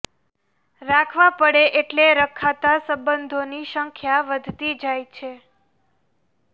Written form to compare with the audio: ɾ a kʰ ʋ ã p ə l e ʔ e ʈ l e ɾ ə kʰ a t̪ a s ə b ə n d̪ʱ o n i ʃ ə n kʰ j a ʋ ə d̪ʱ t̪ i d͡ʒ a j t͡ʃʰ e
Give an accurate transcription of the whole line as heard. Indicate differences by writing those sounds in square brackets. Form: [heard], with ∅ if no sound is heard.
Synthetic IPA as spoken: ɾ a kʰ ʋ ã p ə [ɽ] e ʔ e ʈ l e ɾ ə kʰ a t̪ a s ə b ə n d̪ʱ o n i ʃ ə [ŋ] kʰ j a ʋ ə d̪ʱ t̪ i d͡ʒ a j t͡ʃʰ e